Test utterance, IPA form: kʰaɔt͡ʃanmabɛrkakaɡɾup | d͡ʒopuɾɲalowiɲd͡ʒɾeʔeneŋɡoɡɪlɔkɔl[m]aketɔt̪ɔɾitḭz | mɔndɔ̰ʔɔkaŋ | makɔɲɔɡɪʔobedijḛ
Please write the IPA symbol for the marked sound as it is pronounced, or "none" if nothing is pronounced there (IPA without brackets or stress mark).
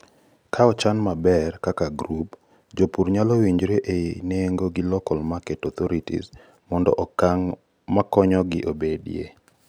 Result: m